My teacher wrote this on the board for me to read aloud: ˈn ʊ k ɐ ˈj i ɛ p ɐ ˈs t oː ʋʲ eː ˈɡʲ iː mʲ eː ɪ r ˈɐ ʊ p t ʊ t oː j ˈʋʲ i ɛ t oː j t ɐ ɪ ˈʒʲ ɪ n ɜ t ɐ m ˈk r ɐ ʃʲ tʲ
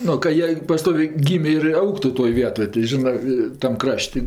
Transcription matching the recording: ˈn ʊ k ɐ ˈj i ɛ p ɐ ˈs t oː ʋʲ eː ˈɡʲ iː mʲ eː ɪ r ˈɐ ʊ k t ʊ t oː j ˈʋʲ i ɛ t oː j t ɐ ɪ ˈʒʲ ɪ n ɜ t ɐ m ˈk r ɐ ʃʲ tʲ